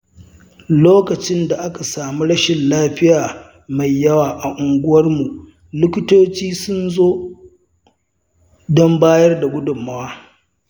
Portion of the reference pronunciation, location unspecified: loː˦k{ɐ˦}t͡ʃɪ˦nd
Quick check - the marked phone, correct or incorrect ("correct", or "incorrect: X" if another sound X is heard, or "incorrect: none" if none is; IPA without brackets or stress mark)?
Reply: incorrect: ɐ˨